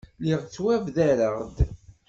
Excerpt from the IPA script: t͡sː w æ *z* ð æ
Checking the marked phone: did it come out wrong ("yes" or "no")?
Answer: yes